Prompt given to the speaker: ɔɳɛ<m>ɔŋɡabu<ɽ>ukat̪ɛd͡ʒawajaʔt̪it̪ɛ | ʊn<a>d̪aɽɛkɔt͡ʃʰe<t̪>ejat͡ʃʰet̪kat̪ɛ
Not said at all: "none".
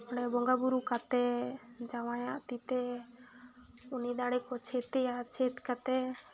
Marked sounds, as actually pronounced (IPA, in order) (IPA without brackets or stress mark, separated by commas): b, ɾ, i, t̪